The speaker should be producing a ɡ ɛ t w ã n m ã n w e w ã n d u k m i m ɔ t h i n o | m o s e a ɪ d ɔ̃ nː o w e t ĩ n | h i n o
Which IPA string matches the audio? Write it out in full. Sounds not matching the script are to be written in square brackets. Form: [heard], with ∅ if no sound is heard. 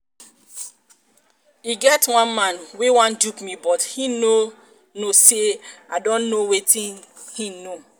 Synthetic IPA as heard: [i] ɡ ɛ t w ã n m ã n w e w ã n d u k m i [b] ɔ t h i n o | [n] o s e a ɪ d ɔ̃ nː o w e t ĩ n | h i n o